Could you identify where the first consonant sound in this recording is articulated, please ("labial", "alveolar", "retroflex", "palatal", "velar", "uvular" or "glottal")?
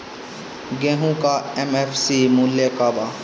velar